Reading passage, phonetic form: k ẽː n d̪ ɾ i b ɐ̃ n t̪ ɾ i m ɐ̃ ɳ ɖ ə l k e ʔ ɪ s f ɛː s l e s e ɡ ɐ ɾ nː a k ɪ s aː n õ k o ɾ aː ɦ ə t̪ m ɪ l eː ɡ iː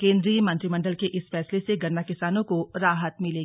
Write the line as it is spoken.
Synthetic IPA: k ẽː n d̪ ɾ i m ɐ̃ n t̪ ɾ i m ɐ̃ ɳ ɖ ə l k e ʔ ɪ s f ɛː s l e s e ɡ ɐ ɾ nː a k ɪ s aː n õ k o ɾ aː ɦ ə t̪ m ɪ l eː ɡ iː